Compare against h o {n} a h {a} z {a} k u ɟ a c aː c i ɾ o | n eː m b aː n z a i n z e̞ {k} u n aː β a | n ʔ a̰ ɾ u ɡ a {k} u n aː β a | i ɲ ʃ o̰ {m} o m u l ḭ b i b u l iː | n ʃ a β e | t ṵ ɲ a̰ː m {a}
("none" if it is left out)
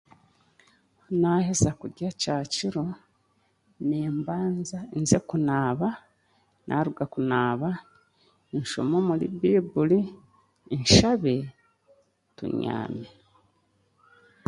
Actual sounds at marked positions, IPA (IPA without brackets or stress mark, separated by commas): n, e, a, k, k, m, e